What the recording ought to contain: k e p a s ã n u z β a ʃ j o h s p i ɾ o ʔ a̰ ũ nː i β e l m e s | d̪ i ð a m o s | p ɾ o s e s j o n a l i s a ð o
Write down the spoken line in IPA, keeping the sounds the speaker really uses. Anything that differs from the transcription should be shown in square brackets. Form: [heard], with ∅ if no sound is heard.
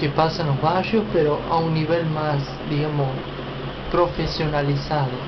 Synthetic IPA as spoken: k e p a s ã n [o] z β a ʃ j o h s p [e] ɾ o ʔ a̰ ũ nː i β e l m [a] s | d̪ i [ɣ] a m o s | p ɾ o [f] e s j o n a l i s a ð o